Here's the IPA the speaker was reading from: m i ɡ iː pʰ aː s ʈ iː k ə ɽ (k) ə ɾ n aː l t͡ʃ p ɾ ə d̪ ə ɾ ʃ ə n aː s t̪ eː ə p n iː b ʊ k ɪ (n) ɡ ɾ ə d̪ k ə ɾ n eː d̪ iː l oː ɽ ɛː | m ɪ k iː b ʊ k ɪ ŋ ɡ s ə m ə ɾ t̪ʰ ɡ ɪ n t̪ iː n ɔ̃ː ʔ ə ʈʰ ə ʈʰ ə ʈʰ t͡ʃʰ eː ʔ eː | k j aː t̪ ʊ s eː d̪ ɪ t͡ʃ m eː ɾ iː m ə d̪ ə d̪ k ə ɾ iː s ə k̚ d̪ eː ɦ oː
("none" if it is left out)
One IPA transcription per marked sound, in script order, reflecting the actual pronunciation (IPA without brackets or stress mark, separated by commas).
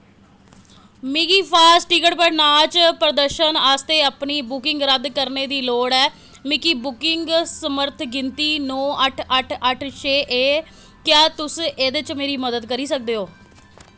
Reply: p, ŋ